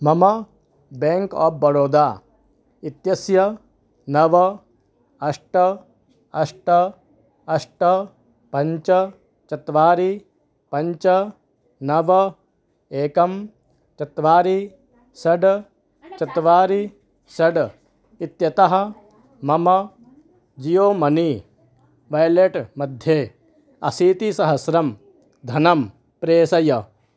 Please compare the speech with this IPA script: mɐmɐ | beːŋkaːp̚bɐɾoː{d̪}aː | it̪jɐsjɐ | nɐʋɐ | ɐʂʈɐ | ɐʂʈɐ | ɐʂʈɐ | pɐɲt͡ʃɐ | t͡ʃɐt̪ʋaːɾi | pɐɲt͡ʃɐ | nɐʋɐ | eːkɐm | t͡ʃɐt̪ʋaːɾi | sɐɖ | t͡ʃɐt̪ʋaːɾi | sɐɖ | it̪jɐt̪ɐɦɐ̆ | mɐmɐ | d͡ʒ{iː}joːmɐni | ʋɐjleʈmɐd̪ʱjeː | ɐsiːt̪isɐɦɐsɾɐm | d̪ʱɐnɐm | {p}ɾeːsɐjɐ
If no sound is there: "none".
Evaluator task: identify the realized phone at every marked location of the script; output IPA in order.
d̪, i, p

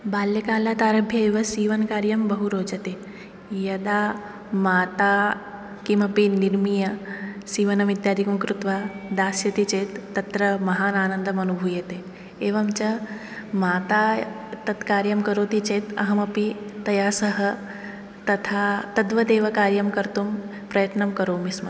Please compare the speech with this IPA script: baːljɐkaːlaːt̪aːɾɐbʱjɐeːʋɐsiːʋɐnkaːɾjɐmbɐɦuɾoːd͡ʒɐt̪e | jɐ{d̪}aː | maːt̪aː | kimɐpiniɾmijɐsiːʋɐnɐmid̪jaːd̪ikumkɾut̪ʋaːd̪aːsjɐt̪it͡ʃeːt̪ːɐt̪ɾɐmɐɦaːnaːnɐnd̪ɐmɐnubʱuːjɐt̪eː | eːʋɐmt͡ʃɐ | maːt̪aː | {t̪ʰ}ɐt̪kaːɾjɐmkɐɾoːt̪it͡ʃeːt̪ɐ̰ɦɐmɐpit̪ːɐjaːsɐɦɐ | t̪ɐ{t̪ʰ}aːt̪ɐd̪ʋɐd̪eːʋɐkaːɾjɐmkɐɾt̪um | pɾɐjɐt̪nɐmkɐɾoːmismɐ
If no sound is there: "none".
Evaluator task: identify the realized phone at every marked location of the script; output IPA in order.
d̪, t̪, t̪ʰ

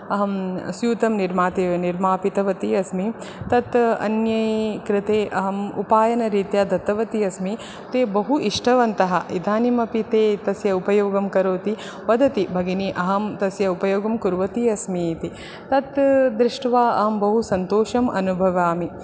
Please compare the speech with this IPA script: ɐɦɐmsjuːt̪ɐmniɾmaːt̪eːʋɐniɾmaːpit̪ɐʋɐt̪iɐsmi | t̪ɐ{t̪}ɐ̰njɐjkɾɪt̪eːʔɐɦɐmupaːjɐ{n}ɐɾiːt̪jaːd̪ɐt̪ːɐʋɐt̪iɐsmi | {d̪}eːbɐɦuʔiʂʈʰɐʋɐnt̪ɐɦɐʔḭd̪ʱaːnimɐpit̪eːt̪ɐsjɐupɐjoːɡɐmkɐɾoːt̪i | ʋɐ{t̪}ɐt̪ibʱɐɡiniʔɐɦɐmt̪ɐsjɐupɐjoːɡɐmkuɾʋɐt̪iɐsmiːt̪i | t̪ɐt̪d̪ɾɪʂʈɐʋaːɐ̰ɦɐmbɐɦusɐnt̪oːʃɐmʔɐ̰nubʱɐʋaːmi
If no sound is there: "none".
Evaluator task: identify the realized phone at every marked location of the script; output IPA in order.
t̪, n, t̪, d̪

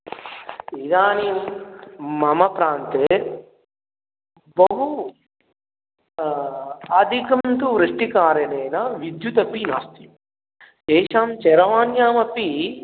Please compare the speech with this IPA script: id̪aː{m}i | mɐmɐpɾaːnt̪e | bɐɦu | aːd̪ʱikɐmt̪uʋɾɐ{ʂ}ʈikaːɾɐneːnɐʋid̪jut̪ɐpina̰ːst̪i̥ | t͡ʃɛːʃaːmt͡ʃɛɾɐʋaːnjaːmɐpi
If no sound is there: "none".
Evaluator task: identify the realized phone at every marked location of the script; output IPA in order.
n, ʂ

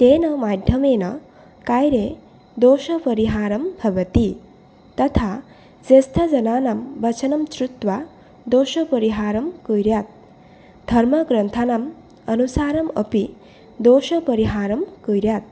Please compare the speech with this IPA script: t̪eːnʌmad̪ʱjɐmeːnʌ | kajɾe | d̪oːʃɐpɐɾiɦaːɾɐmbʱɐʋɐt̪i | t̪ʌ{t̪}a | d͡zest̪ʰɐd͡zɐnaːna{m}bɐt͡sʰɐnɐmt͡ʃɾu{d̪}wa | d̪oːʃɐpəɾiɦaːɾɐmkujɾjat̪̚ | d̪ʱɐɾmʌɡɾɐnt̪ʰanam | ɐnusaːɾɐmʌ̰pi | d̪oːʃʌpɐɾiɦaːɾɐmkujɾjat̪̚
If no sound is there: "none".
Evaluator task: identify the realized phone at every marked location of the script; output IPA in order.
t̪ʰ, m, t̪

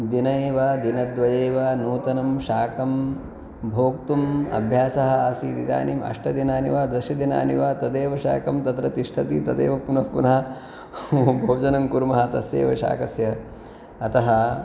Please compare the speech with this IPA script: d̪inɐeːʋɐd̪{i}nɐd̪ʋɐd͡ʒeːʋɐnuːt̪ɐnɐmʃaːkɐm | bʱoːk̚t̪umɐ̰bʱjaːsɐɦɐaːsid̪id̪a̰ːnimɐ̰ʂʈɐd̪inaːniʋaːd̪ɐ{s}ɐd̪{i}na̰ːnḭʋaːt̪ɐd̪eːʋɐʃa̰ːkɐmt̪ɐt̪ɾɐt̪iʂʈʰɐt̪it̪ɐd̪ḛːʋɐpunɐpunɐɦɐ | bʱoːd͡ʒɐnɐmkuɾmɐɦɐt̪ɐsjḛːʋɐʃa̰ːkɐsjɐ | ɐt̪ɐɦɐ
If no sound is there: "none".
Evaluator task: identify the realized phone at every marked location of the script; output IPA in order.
i, ʃ, i

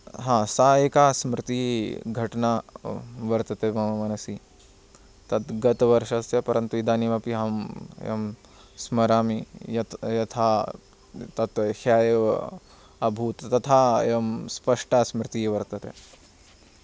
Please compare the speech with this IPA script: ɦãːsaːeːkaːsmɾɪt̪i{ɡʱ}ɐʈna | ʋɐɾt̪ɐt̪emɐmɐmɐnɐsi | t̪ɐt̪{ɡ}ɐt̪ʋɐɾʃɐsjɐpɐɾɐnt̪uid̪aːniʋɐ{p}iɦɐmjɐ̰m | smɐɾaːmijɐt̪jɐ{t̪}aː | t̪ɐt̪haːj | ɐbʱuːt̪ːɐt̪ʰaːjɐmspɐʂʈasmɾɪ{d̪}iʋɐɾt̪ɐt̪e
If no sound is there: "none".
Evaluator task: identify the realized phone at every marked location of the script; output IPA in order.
ɡʱ, ɡ, p, t̪ʰ, t̪

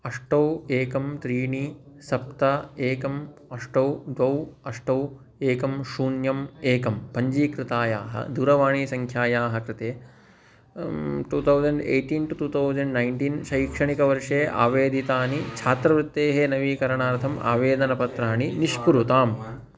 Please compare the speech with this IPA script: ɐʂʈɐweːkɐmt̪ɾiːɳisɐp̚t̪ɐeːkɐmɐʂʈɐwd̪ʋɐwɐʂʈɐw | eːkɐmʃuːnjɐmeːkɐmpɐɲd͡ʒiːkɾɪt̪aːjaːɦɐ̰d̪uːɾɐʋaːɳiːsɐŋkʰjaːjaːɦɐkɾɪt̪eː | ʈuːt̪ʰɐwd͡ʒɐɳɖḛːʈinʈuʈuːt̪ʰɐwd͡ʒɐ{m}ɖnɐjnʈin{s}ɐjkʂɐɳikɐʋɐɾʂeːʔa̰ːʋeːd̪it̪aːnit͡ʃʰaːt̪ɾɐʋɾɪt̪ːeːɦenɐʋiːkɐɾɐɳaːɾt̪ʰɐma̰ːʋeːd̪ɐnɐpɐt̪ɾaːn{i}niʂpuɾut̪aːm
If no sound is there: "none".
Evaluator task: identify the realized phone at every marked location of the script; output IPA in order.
ɳ, ʃ, i

